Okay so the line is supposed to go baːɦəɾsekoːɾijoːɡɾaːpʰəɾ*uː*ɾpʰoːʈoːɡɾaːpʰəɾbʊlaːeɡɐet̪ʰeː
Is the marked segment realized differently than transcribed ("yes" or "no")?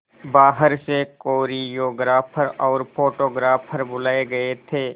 yes